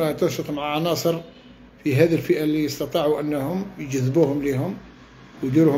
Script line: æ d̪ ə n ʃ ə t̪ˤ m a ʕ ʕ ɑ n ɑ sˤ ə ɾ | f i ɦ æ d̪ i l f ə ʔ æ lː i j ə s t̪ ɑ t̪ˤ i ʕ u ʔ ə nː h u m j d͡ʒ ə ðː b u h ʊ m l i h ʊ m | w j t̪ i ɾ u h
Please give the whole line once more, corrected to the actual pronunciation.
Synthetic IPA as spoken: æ t̪ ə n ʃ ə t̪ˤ m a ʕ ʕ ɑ n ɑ sˤ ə ɾ | f i ɦ æ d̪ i l f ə ʔ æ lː i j ə s t̪ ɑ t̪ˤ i ʕ u ʔ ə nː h ʊ m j d͡ʒ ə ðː b u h ʊ m l i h ʊ m | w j d̪ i ɾ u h